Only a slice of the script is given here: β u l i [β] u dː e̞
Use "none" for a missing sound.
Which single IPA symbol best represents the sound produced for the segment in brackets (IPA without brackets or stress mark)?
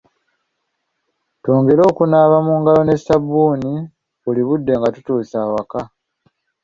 β